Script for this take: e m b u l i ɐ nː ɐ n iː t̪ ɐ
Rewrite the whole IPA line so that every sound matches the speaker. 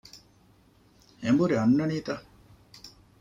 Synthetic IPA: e m b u ɾ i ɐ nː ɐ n iː t̪ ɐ